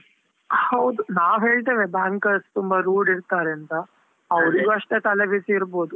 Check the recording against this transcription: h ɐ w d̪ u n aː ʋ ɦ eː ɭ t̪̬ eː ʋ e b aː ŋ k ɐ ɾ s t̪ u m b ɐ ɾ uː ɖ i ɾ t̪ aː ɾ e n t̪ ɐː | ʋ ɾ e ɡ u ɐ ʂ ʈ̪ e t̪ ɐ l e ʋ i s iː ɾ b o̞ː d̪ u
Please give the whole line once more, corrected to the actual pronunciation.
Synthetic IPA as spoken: h ɐ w d̪ u n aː ʋ ɦ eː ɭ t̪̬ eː ʋ e b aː ŋ k ɐ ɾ s t̪ u m b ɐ ɾ uː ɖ i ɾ t̪ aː ɾ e n t̪ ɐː | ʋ ɾ i ɡ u ɐ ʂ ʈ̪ e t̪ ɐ l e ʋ i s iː ɾ b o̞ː d̪ u